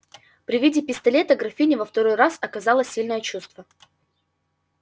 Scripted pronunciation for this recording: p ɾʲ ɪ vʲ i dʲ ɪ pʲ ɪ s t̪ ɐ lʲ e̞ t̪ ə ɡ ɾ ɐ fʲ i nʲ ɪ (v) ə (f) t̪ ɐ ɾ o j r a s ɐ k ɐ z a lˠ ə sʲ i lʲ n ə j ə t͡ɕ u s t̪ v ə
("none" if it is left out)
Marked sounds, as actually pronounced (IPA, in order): v, f

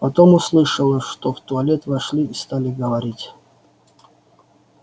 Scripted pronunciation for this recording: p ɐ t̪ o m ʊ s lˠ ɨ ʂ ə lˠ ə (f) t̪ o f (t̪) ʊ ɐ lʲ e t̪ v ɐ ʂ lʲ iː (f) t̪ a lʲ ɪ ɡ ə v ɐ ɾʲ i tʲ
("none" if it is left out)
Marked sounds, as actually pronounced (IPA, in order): ʂ, t̪, s

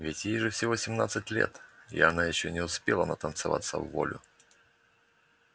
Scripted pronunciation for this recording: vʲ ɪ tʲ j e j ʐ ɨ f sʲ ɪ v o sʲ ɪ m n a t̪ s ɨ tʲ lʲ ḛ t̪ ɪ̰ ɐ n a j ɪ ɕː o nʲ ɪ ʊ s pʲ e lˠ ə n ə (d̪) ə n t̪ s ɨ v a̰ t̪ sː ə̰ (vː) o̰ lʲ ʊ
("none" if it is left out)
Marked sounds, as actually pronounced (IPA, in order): t̪, vː

